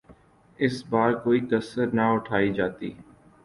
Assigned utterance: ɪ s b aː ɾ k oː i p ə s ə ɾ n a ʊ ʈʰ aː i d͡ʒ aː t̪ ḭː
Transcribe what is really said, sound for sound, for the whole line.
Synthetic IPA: ɪ s b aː ɾ k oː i k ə s ə ɾ n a ʊ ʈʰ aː i d͡ʒ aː t̪ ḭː